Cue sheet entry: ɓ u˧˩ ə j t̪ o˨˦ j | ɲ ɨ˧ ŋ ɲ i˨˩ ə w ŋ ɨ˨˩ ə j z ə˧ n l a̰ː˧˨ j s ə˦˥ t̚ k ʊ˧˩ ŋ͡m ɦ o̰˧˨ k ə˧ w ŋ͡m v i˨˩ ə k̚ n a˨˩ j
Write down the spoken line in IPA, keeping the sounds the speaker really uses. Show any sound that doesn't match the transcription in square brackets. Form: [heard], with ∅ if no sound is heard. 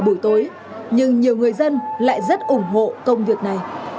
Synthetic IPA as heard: ɓ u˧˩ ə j t̪ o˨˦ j | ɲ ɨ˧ ŋ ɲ i˨˩ ə w ŋ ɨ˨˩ ə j z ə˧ n l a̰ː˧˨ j [z] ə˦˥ t̚ [ʔ] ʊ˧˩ ŋ͡m ɦ o̰˧˨ k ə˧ w ŋ͡m v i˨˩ ə k̚ n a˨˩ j